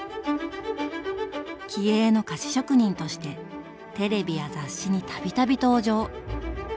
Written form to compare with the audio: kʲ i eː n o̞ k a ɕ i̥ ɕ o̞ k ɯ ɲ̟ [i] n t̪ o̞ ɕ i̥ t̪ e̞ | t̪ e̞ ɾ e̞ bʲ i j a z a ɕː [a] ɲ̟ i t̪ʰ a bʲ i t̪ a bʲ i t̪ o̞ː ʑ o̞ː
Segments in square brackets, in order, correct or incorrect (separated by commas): incorrect, incorrect